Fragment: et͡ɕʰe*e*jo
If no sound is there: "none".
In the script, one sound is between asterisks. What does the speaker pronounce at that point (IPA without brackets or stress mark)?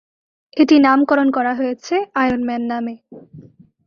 a